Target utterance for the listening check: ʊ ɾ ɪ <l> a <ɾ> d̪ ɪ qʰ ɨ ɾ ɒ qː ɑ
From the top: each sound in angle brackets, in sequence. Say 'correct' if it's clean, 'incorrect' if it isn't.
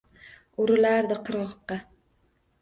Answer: correct, correct

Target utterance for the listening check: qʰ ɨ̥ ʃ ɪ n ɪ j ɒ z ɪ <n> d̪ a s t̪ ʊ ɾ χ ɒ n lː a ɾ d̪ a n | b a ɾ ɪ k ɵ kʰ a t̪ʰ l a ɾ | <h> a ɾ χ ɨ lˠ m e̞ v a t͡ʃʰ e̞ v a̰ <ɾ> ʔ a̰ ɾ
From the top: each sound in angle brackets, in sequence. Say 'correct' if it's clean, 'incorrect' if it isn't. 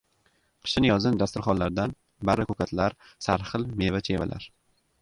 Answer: correct, incorrect, incorrect

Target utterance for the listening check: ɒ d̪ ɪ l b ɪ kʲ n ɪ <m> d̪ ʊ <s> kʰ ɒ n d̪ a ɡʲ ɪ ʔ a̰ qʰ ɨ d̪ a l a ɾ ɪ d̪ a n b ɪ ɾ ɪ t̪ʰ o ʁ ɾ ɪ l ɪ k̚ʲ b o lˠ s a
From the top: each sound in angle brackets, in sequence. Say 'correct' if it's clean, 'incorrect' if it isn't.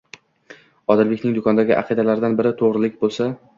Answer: incorrect, incorrect

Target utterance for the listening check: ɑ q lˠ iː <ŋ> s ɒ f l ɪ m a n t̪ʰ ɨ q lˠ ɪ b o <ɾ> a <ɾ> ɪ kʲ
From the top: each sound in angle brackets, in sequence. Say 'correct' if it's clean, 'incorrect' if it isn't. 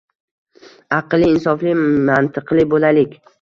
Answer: incorrect, incorrect, incorrect

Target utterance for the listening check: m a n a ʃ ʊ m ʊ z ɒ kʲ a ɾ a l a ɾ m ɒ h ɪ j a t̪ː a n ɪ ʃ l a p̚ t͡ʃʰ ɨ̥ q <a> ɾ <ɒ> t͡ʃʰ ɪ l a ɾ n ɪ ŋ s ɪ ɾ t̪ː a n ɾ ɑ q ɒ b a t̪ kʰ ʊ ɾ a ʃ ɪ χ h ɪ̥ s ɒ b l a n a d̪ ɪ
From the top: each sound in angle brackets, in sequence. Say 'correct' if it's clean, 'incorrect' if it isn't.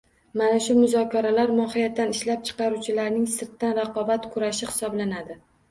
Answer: incorrect, incorrect

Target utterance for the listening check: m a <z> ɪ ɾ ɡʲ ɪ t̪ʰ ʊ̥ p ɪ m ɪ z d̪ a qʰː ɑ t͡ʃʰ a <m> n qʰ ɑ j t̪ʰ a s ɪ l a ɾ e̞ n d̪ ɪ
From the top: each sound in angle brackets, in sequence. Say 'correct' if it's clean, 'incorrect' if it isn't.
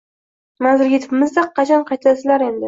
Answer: correct, incorrect

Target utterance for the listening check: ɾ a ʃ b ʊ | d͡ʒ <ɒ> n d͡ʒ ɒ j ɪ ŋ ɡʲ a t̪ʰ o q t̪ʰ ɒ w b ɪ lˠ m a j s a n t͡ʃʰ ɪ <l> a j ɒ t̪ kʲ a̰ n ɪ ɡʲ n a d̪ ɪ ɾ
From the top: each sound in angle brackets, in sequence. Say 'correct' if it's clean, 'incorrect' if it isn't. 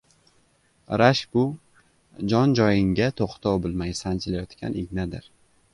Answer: correct, correct

